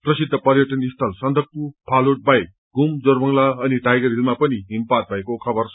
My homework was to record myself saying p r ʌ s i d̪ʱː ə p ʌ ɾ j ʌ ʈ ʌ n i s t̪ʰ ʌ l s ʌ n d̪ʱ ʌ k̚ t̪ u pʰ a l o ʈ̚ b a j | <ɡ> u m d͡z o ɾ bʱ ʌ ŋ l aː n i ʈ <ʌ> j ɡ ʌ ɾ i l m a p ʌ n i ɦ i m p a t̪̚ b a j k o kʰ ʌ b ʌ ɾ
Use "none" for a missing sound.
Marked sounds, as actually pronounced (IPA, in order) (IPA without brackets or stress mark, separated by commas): ɡ, a